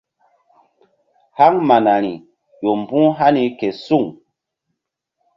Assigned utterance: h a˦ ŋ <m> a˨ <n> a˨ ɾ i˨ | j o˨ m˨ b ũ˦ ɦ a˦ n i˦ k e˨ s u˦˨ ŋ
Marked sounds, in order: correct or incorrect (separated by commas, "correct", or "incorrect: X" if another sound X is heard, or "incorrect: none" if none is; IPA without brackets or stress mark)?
correct, correct